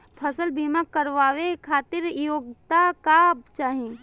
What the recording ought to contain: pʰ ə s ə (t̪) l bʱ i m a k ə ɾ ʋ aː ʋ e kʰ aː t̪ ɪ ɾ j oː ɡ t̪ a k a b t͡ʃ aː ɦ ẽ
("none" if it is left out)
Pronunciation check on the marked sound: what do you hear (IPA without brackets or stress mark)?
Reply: none